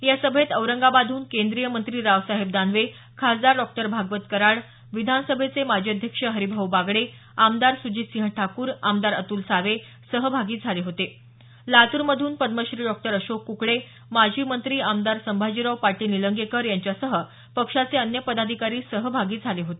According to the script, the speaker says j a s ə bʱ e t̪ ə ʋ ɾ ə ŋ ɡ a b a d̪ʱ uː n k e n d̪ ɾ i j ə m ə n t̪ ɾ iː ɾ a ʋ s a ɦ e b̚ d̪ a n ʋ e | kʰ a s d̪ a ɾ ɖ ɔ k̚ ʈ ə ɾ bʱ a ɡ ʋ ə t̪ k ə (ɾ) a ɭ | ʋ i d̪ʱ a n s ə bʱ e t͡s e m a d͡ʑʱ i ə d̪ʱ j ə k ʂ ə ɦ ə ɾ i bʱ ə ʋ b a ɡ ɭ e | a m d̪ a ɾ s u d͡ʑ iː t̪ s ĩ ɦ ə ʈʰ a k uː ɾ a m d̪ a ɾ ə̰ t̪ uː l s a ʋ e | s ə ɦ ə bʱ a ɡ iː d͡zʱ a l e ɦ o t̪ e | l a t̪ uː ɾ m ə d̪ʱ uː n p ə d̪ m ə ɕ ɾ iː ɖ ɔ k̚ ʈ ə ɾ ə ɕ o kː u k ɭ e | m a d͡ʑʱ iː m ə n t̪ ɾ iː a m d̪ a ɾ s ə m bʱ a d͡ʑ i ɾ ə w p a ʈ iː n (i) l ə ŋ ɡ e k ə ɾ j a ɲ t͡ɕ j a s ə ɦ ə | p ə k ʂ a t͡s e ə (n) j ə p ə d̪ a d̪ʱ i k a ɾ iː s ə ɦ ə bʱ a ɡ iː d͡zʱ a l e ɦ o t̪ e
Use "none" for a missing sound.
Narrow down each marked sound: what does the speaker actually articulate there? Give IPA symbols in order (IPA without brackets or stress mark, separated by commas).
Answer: ɾ, i, n